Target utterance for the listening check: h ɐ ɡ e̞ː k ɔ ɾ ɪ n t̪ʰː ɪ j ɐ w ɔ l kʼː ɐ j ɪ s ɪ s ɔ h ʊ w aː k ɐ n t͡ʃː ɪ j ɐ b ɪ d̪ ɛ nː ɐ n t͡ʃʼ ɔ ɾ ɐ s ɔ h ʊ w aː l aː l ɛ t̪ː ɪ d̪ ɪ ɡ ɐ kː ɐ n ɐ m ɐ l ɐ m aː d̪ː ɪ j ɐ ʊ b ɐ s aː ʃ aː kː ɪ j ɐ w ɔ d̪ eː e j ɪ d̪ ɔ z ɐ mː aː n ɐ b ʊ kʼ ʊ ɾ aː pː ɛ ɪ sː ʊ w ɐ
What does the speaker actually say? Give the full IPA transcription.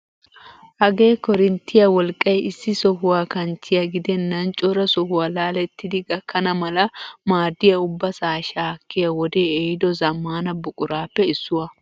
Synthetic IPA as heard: h ɐ ɡ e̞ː k ɔ ɾ ɪ n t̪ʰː ɪ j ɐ w ɔ l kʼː ɐ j ɪ sː ɪ s ɔ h ʊ w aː k ɐ n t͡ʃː ɪ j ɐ ɡ ɪ d̪ ɛ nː ɐ n t͡ʃʼ ɔ ɾ ɐ s ɔ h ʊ w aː l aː l ɛ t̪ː ɪ d̪ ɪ ɡ ɐ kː ɐ n ɐ m ɐ l ɐ m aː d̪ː ɪ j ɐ ʊ bː ɐ s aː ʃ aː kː ɪ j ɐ w ɔ d̪ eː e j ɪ d̪ ɔ z ɐ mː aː n ɐ b ʊ kʼ ʊ ɾ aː pː ɛ ɪ sː ʊ w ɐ